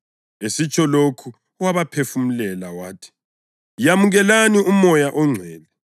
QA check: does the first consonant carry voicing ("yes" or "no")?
no